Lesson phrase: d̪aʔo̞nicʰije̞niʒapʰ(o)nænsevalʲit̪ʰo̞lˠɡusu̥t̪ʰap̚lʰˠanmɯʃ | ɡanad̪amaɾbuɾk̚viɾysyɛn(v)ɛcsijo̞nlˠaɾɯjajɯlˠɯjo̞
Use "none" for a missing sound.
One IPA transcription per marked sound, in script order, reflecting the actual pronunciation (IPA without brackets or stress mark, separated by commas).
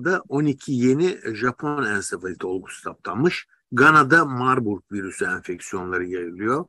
o, f